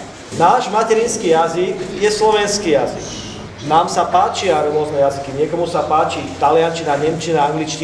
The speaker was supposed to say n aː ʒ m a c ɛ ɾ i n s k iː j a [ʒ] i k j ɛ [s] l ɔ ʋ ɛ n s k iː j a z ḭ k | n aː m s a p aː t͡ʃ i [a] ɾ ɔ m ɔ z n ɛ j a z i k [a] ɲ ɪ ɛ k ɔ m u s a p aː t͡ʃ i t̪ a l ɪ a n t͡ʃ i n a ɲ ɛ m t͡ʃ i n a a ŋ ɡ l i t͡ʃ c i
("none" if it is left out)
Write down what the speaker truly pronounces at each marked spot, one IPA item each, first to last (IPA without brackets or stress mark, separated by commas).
z, s, a, i